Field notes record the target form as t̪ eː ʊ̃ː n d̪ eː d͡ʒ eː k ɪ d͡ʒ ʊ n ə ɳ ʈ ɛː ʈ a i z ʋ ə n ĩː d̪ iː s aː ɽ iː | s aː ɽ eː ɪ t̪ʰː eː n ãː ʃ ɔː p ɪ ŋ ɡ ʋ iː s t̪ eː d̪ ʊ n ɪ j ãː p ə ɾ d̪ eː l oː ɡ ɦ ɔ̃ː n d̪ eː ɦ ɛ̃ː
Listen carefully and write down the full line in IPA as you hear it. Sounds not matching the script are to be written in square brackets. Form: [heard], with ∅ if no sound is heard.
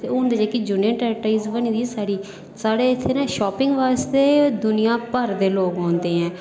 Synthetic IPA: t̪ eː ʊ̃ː n d̪ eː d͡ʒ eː k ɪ d͡ʒ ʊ n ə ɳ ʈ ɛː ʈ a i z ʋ ə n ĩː d̪ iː s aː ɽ iː | s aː ɽ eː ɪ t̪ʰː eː n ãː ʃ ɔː p ɪ ŋ ɡ ʋ [aː] s t̪ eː d̪ ʊ n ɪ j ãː p ə ɾ d̪ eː l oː ɡ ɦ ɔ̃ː n d̪ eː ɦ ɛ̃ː

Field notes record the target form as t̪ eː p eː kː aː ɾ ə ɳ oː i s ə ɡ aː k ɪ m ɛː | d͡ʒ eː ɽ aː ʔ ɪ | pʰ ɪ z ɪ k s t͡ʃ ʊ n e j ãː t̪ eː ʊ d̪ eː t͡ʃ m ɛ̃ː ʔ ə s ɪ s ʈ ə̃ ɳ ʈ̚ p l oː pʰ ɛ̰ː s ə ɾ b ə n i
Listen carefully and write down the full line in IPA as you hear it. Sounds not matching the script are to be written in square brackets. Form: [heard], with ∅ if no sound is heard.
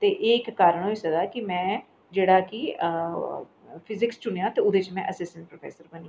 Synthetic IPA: t̪ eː [ʔ] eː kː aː ɾ ə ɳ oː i s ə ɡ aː k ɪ m [ɛ̃ː] | d͡ʒ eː ɽ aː [k] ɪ | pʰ ɪ z ɪ k s t͡ʃ ʊ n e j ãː t̪ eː ʊ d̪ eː t͡ʃ m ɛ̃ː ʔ ə s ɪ s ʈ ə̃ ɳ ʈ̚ p [ɾ] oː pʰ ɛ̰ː s ə ɾ b ə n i

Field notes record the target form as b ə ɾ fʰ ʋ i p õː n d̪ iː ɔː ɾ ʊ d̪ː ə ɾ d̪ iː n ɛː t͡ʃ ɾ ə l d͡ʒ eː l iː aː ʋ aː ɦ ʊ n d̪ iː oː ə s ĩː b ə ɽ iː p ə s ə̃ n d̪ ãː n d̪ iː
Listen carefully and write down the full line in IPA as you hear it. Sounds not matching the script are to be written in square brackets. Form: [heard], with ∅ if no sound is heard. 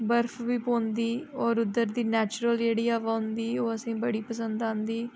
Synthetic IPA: b ə ɾ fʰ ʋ [iː] p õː n d̪ iː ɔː ɾ ʊ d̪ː ə ɾ d̪ iː n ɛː t͡ʃ ɾ ə l d͡ʒ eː [ɽ] iː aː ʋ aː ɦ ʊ n d̪ iː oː ə s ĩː b ə ɽ iː p ə s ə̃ n d̪ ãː n d̪ iː

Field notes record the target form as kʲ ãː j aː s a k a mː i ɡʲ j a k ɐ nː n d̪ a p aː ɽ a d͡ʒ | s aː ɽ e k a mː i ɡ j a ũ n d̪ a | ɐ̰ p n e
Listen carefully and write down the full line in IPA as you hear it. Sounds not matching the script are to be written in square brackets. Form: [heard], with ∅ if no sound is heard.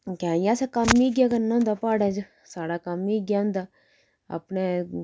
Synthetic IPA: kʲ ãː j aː s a k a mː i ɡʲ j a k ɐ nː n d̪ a p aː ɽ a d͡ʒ | s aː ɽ [a] k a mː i ɡ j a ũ n d̪ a | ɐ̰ p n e

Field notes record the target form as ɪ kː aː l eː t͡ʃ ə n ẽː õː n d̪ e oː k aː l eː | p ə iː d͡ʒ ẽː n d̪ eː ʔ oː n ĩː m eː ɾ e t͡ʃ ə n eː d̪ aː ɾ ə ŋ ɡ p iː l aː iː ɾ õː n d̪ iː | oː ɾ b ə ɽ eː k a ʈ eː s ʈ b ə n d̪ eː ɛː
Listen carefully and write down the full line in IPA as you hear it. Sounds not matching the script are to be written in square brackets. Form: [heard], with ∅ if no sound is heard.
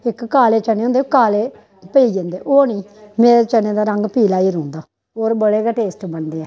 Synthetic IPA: ɪ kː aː l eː t͡ʃ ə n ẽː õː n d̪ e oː k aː l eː | p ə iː d͡ʒ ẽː n d̪ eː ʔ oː n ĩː m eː ɾ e t͡ʃ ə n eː d̪ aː ɾ ə ŋ ɡ p iː l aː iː ɾ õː n d̪ [aː] | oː ɾ b ə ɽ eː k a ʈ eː s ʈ b ə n d̪ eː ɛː

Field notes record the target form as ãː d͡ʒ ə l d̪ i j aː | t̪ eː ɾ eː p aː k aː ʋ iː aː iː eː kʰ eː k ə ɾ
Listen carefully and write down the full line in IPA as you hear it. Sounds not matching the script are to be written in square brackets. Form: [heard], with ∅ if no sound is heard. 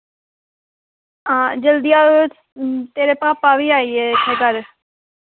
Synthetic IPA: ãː d͡ʒ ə l d̪ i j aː | t̪ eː ɾ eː p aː [p] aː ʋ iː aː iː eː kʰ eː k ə ɾ

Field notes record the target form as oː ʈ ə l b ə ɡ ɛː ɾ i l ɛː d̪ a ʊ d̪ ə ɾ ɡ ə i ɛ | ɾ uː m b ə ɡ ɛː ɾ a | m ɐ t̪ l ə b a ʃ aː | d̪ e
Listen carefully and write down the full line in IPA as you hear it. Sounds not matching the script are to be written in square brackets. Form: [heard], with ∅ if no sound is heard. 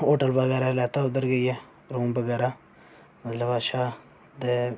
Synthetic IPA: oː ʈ ə l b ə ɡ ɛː ɾ [a] l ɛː [t̪] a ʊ d̪ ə ɾ ɡ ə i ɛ | ɾ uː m b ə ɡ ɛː ɾ a | m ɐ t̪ l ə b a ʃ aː | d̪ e

